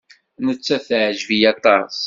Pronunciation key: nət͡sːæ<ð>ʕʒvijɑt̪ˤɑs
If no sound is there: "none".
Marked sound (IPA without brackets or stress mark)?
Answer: θ